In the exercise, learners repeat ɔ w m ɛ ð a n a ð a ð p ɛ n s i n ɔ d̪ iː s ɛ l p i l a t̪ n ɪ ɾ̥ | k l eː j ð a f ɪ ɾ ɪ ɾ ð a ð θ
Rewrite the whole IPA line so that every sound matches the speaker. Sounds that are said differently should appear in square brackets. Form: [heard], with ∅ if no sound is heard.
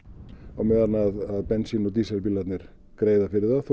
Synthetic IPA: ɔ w m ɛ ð a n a ð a ð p ɛ n s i n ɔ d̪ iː s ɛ l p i l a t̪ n ɪ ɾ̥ | k [ɾ] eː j ð a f ɪ ɾ ɪ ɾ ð a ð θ